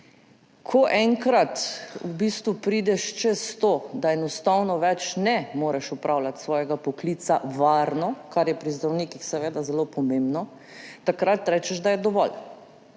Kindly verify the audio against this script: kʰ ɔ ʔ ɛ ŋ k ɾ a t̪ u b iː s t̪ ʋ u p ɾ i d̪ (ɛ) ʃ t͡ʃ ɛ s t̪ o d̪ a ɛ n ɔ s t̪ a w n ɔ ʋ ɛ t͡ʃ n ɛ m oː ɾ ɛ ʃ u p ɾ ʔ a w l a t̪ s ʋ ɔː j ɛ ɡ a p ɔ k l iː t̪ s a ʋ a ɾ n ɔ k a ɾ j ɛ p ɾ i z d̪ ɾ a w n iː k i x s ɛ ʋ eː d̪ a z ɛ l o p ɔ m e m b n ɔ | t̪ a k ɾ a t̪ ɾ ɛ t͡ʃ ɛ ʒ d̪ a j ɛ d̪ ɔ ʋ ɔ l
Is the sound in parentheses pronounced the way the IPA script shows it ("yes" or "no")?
yes